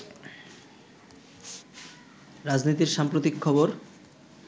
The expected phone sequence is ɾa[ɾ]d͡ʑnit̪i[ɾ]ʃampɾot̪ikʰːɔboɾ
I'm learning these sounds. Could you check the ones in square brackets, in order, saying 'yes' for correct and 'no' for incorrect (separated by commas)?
no, yes